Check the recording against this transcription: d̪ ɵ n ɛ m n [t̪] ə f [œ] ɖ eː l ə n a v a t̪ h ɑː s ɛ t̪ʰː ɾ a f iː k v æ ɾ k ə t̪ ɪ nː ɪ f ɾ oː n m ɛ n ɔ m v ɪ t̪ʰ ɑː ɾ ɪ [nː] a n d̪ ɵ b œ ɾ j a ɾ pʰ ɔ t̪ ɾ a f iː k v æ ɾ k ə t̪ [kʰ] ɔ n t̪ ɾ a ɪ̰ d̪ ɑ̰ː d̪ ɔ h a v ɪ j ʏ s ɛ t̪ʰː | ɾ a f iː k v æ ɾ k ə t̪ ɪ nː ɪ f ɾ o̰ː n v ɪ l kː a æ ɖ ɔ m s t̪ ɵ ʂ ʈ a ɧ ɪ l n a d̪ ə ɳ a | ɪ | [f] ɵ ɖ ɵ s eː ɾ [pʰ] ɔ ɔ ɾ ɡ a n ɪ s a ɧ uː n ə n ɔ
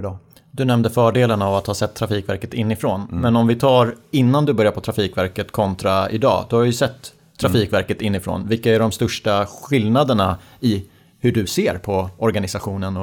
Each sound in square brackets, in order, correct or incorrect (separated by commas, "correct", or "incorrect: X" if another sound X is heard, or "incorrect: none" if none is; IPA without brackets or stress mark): incorrect: d̪, incorrect: œː, correct, correct, incorrect: h, correct